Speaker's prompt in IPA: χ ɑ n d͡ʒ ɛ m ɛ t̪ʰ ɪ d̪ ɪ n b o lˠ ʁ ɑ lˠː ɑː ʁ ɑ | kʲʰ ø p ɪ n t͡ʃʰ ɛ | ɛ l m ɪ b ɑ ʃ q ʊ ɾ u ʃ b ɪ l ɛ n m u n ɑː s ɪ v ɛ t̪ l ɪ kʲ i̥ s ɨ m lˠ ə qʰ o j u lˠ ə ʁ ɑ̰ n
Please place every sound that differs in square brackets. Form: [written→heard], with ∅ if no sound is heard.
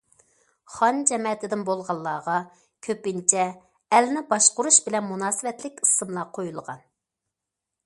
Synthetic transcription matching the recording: χ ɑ n d͡ʒ ɛ m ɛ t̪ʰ ɪ d̪ ɪ n b o lˠ ʁ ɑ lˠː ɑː ʁ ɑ | kʲʰ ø p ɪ n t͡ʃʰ ɛ | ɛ l [m→n] ɪ b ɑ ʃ q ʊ ɾ u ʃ b ɪ l ɛ n m u n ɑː s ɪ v ɛ t̪ l ɪ kʲ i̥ s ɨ m lˠ [ə→ɑ] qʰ o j u lˠ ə ʁ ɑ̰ n